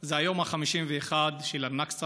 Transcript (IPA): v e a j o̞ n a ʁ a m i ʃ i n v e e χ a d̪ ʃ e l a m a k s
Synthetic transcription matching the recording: z e a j o̞ m a χ a m i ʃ i m v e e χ a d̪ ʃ e l a n a k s